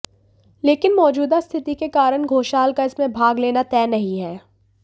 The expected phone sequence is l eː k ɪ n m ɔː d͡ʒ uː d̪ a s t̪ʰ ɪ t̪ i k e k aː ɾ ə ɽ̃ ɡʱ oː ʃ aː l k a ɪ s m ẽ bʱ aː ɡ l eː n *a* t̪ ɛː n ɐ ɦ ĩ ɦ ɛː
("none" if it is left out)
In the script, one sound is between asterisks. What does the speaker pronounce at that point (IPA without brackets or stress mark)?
a